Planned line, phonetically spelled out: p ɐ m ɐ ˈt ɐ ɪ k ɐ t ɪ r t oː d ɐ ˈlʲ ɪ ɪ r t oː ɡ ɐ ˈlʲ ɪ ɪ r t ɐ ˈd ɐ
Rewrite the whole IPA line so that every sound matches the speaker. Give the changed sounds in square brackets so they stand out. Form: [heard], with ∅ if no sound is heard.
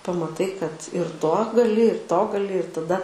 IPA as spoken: p ɐ m ɐ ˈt ɐ ɪ k ɐ t ɪ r t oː [ɡ] ɐ ˈlʲ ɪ ɪ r t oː ɡ ɐ ˈlʲ ɪ ɪ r t ɐ ˈd ɐ

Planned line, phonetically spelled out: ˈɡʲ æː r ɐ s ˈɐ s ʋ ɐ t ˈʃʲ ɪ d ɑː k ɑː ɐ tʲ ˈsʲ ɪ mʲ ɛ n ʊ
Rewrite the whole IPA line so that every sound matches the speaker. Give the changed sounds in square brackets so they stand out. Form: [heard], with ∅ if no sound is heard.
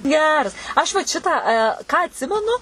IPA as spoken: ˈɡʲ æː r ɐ s ˈɐ [ʃ] ʋ ɐ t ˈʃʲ ɪ [t] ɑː k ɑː ɐ tʲ ˈsʲ ɪ mʲ ɛ n ʊ

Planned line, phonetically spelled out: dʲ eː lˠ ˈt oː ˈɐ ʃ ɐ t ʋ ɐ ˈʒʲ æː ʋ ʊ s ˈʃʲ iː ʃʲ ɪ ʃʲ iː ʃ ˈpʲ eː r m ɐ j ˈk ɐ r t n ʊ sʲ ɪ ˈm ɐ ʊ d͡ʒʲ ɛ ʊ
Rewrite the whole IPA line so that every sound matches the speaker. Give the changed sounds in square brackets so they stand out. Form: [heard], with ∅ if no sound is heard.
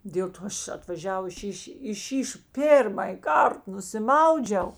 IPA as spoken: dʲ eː lˠ ˈt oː ˈɐ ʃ ɐ t ʋ ɐ ˈʒʲ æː ʋ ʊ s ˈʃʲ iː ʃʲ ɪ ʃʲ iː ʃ ˈpʲ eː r m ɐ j ˈk ɐ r t n ʊ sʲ ɪ ˈm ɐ ʊ d͡ʒʲ ɛ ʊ

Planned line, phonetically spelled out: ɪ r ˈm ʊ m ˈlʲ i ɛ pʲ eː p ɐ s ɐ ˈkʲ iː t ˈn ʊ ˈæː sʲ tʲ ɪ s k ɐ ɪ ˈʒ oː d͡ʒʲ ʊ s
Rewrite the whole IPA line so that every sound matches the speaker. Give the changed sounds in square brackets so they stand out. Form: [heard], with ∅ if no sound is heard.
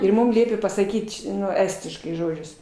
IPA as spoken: ɪ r ˈm ʊ m ˈlʲ i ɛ pʲ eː p ɐ s ɐ ˈkʲ iː t ˈn ʊ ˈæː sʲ tʲ ɪ [ʃ] k ɐ ɪ ˈʒ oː d͡ʒʲ ʊ s

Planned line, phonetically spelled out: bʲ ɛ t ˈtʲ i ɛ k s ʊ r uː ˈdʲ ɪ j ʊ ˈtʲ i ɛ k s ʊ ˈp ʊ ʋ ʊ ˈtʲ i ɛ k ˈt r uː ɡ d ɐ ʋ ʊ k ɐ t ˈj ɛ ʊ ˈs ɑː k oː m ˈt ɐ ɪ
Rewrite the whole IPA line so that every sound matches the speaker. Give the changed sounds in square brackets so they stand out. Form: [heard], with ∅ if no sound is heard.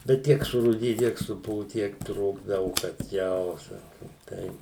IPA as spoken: bʲ ɛ t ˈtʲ i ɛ k s ʊ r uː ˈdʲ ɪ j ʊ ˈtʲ i ɛ k s ʊ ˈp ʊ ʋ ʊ ˈtʲ i ɛ k ˈt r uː ɡ d ɐ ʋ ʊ k ɐ t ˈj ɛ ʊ ˈs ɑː k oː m ˈt ɐ ɪ

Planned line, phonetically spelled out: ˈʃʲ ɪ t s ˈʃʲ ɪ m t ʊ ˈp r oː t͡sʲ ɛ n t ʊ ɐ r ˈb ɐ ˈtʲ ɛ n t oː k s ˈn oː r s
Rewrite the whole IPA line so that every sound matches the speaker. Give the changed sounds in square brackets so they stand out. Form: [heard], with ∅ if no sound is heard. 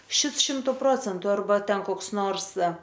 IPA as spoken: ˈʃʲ ɪ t s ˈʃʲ ɪ m t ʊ ˈp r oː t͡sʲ ɛ n t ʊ ɐ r ˈb ɐ ˈtʲ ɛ n [k] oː k s ˈn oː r s

